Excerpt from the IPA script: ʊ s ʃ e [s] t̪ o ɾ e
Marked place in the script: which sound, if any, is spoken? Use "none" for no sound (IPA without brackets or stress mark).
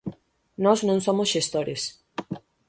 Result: s